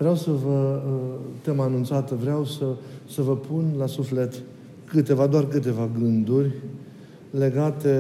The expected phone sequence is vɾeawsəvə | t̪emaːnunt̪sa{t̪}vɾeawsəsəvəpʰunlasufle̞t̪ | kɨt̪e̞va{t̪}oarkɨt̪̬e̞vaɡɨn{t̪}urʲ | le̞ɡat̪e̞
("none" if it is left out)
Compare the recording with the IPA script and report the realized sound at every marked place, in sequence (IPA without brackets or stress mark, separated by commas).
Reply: t̪, d̪, d̪